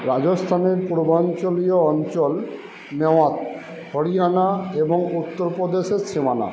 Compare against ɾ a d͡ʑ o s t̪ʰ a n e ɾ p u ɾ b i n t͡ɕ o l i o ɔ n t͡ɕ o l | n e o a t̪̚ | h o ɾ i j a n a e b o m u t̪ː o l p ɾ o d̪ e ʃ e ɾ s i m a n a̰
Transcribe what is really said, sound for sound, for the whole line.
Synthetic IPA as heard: ɾ a d͡ʑ o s t̪ʰ a n e ɾ p u ɾ b a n t͡ɕ o l i o ɔ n t͡ɕ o l | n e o a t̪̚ | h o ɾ i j a n a e b o ŋ u t̪ː o ɾ p ɾ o d̪ e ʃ e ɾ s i m a n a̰

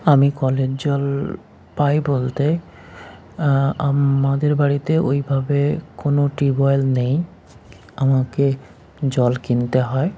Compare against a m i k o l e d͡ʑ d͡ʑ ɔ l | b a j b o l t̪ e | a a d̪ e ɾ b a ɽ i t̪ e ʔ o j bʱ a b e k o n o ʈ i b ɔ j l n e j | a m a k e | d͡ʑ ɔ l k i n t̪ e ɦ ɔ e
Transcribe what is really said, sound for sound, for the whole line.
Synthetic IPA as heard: a m i k ɔ l e d͡ʑ d͡ʑ ɔ l | p a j b o l t̪ e | a a d̪ e ɾ b a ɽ i t̪ e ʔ o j bʱ a b e k o n o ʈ i b ɔ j l n e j | a m a k e | d͡ʑ ɔ l k i n t̪ e ɦ ɔ e

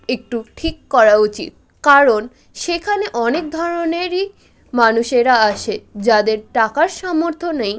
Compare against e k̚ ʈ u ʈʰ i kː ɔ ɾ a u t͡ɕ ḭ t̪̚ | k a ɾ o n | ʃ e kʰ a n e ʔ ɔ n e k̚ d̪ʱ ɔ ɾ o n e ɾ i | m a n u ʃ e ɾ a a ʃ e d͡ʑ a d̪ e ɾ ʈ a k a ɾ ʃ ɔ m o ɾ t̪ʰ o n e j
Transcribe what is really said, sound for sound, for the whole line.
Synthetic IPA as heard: e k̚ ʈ u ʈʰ i kː ɔ ɾ a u t͡ɕ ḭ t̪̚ | k a ɾ o n | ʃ e kʰ a n e ʔ ɔ n e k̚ d̪ʱ ɔ ɾ o n e ɾ i | m a n u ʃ e ɾ a a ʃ e d͡ʑ a d̪ e ɾ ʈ a k a ɾ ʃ ɔ m o ɾ t̪ʰ o n e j

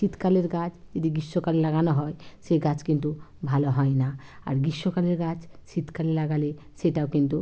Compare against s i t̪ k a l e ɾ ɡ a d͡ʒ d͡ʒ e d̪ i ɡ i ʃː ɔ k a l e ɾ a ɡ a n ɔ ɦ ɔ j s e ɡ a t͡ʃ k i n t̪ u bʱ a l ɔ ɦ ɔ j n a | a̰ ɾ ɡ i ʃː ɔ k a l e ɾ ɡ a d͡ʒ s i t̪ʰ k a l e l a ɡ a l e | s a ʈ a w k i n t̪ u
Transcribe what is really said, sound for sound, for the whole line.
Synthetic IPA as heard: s i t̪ k a l e ɾ ɡ a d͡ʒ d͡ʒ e d̪ i ɡ i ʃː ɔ k a l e l a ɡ a n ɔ ɦ ɔ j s e ɡ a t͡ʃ k i n t̪ u bʱ a l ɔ ɦ ɔ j n a | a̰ ɾ ɡ i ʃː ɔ k a l e ɾ ɡ a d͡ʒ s i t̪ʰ k a l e l a ɡ a l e | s e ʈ a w k i n t̪ u

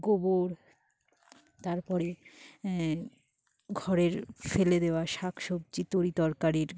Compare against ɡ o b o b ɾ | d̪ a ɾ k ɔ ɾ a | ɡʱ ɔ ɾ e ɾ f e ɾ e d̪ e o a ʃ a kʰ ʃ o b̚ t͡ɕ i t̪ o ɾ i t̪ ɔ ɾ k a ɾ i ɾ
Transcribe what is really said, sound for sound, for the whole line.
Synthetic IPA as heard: ɡ o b o ɾ | t̪ a ɾ p ɔ ɾ e | ɡʱ ɔ ɾ e ɾ f e l e d̪ e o a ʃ a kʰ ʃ o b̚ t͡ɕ i t̪ o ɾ i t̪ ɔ ɾ k a ɾ i ɾ

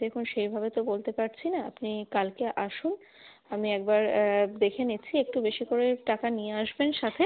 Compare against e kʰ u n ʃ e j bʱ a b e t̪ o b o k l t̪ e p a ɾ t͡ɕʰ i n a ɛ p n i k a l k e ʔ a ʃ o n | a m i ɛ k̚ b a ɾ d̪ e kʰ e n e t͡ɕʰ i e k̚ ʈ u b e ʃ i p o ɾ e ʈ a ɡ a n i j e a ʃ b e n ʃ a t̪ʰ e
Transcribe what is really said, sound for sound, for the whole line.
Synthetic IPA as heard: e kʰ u n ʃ e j bʱ a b e t̪ o b o l t̪ e p a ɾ t͡ɕʰ i n a a p n i k a l k e ʔ a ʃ u n | a m i ɛ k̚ b a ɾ d̪ e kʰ e n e t͡ɕʰ i e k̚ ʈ u b e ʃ i k o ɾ e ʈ a k a n i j e a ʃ b e n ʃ a t̪ʰ e

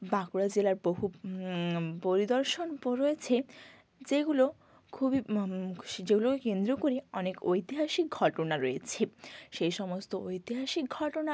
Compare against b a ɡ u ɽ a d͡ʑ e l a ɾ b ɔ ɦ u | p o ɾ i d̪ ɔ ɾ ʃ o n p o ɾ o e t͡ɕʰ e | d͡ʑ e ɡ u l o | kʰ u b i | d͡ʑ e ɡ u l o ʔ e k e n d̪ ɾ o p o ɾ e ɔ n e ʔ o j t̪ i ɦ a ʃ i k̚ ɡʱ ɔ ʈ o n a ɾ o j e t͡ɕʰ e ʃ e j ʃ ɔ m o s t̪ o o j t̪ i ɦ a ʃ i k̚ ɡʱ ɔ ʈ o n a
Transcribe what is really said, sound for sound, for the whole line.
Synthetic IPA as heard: b a k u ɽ a d͡ʑ e l a ɾ b o ɦ u | p o ɾ i d̪ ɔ ɾ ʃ o n p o ɾ o e t͡ɕʰ e | d͡ʑ e ɡ u l o | kʰ u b i | d͡ʑ e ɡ u l o k e k e n d̪ ɾ o k o ɾ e ɔ n e k o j t̪ i ɦ a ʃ i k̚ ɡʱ ɔ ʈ o n a ɾ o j e t͡ɕʰ e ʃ e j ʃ ɔ m o s t̪ o o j t̪ i ɦ a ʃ i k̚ ɡʱ ɔ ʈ o n a

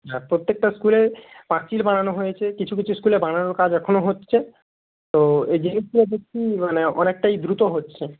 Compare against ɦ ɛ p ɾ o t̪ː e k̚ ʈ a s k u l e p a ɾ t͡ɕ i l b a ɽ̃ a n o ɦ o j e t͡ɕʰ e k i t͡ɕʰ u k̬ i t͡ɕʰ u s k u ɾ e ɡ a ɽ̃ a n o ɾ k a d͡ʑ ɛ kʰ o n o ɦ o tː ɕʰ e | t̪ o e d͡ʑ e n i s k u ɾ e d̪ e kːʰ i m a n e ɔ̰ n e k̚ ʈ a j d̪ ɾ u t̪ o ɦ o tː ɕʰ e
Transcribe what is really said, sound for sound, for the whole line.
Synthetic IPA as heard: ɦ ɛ p ɾ o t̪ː e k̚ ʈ a s k u l e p a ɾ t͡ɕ i l b a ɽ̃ a n o ɦ o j e t͡ɕʰ e k i t͡ɕʰ u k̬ i t͡ɕʰ u s k u l e b a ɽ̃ a n o ɾ k a d͡ʑ ɛ kʰ o n o ɦ o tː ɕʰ e | t̪ o e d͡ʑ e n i s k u l e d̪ e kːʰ i m a n e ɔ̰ n e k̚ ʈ a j d̪ ɾ u t̪ o ɦ o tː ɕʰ e

